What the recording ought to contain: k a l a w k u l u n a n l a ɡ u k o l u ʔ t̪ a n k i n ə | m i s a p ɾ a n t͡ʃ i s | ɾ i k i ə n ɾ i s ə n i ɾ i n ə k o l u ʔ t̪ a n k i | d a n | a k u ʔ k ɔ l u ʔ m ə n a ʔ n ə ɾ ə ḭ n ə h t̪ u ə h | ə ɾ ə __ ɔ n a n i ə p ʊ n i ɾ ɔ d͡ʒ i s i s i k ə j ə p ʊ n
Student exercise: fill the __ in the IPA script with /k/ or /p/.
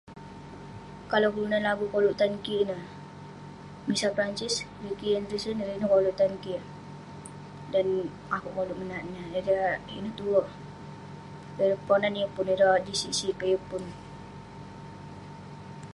p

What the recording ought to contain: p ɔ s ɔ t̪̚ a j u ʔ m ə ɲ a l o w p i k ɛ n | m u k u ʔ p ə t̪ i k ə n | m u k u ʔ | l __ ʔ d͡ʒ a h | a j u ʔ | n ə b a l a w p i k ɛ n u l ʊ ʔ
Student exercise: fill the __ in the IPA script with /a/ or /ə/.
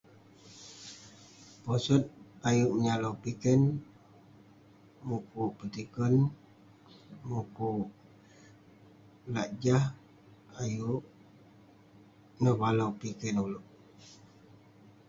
a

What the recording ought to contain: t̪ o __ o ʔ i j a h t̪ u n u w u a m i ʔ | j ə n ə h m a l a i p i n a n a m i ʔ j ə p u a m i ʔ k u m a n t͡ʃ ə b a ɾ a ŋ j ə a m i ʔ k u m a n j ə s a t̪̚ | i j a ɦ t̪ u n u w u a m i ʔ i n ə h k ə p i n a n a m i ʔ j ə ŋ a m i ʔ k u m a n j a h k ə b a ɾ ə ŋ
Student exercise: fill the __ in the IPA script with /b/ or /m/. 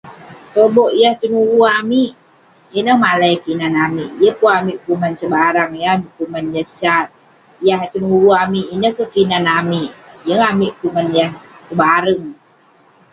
b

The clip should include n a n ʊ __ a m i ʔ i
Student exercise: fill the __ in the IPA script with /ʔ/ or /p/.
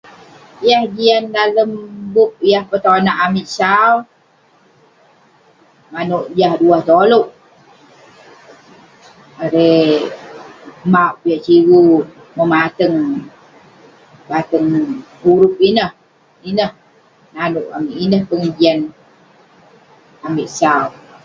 ʔ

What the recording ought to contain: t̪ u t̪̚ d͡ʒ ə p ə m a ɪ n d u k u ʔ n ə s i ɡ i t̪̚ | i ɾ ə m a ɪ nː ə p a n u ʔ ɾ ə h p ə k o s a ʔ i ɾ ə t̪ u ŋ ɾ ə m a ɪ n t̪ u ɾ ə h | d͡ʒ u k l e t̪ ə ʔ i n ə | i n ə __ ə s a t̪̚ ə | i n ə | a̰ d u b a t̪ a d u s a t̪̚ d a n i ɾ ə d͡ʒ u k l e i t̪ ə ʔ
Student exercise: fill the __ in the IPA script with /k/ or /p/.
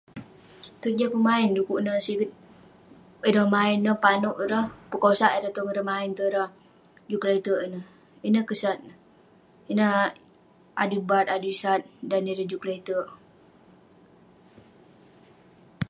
k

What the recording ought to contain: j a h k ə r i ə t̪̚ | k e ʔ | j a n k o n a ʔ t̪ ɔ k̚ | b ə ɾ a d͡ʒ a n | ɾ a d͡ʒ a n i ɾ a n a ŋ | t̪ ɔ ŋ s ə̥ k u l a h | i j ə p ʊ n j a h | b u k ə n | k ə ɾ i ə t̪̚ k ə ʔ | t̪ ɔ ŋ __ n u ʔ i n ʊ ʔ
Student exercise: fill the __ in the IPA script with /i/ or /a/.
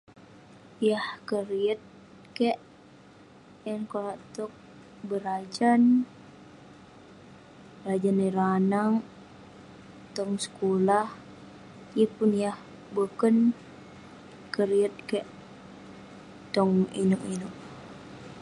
i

